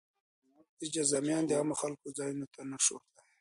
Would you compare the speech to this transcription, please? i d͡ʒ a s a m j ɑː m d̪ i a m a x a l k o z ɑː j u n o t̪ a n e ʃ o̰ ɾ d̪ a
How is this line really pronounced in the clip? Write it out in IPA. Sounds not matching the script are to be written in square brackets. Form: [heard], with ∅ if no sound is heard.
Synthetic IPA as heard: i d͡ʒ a [z] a m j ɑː [n] d̪ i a m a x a l k o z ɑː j u n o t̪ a n [a] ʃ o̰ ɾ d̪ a